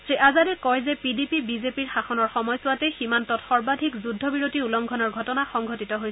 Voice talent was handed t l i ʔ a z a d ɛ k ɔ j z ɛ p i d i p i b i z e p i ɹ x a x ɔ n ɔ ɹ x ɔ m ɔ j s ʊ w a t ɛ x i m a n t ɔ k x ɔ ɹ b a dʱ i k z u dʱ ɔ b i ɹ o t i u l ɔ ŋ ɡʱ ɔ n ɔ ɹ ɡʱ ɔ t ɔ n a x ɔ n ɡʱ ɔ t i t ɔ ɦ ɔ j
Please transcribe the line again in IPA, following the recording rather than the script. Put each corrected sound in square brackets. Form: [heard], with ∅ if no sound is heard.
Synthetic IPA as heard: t [ɹ] i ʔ a z a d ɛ k ɔ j z ɛ p i d i p i b i z e p i ɹ x a x ɔ n ɔ ɹ x ɔ m ɔ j s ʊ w a t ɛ x i m a n t ɔ [t] x ɔ ɹ b a dʱ i k z u dʱ ɔ b i ɹ o t i u l ɔ ŋ ɡʱ ɔ n ɔ ɹ ɡʱ ɔ t ɔ n a x ɔ [ŋ] ɡʱ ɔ t i t ɔ ɦ [o] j